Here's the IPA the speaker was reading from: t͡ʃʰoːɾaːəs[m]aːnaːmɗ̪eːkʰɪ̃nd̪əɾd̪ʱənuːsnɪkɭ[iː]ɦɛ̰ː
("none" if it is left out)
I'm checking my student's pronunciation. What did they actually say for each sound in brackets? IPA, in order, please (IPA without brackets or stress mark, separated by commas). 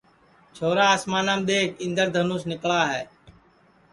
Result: m, aː